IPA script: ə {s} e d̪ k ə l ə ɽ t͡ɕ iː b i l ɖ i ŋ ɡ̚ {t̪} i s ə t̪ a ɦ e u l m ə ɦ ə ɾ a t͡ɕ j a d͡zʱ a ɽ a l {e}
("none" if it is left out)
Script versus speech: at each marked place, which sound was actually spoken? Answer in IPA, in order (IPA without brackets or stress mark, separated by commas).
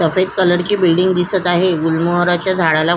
f, d̪, a